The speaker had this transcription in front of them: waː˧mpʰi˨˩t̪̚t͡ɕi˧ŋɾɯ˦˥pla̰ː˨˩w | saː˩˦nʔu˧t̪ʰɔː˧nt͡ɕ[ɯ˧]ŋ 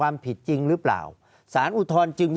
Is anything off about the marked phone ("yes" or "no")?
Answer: no